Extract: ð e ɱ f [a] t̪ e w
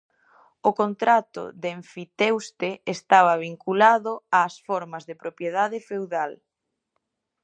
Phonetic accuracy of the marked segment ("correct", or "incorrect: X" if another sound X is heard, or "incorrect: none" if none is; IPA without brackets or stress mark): incorrect: i